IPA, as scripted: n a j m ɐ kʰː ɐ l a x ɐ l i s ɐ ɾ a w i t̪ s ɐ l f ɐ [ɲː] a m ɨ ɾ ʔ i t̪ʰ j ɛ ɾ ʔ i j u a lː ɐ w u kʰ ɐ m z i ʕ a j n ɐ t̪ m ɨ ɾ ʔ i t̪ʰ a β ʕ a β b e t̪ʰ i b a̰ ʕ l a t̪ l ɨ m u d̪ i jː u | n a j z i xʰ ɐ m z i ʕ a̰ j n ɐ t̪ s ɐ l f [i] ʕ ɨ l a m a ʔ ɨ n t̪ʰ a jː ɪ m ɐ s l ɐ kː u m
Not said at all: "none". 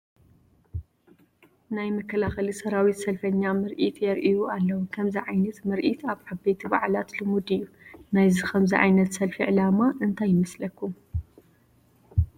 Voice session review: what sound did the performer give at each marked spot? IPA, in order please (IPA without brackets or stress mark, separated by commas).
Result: ɲː, i